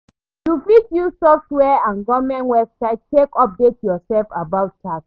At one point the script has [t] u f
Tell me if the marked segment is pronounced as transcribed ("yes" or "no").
yes